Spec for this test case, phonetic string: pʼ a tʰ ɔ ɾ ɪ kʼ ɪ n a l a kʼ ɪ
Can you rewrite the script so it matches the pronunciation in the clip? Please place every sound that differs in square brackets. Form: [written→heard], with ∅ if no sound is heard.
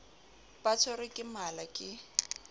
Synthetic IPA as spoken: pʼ a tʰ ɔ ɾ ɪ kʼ ɪ [n→m] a l a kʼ ɪ